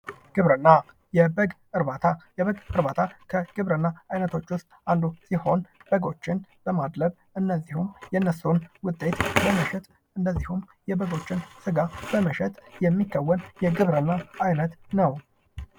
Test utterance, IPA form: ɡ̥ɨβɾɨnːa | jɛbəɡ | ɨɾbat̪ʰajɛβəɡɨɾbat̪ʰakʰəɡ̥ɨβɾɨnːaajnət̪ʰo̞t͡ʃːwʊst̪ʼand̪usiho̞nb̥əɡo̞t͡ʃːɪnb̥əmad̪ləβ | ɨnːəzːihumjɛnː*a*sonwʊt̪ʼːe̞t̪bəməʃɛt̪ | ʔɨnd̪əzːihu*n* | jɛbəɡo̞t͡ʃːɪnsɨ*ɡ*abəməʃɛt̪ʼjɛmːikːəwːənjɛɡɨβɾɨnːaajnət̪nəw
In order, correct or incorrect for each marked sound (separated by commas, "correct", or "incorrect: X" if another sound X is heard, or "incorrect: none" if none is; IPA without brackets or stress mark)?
incorrect: ə, incorrect: m, correct